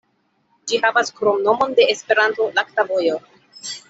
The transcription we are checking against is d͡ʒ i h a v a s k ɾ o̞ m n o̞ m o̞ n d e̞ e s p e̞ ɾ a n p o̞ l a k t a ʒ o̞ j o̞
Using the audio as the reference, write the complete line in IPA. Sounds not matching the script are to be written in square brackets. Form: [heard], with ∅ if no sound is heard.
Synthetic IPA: d͡ʒ i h a v a s k ɾ o̞ m n o̞ m o̞ n d e̞ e s p e̞ ɾ a n [t] o̞ l a k t a [v] o̞ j o̞